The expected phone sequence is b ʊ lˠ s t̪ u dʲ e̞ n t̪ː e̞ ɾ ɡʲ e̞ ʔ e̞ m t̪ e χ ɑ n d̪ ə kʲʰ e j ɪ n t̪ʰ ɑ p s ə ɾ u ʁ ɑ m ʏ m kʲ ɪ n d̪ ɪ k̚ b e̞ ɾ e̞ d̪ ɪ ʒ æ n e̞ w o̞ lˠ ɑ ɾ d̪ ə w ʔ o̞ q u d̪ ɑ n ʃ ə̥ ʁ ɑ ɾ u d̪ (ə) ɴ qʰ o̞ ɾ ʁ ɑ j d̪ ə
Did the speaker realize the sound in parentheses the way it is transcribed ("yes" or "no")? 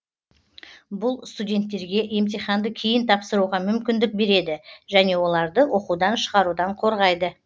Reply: no